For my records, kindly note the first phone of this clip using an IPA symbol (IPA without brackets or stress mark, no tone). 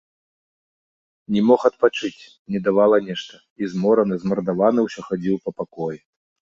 nʲ